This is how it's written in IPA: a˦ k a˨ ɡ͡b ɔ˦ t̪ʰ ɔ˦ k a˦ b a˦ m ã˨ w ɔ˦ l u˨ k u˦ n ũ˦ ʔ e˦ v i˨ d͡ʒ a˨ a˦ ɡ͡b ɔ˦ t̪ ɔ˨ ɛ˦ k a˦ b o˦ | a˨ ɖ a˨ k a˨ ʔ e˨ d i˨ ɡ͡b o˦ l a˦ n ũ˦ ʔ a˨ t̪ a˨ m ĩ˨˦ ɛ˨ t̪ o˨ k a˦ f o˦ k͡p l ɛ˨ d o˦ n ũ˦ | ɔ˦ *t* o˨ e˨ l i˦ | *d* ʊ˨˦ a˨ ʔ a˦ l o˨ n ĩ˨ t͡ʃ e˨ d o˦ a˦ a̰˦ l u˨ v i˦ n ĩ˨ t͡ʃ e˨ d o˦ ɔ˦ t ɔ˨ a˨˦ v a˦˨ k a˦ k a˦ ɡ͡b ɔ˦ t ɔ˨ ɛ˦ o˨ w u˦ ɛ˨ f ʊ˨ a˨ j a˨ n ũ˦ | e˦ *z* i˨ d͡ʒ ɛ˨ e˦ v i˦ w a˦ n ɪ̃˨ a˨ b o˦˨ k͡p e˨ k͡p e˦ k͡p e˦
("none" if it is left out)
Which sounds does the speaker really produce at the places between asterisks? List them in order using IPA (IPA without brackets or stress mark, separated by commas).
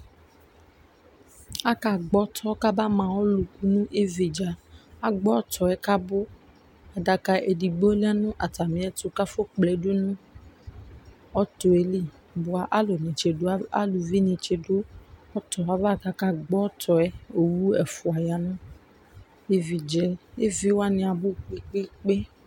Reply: t, b, v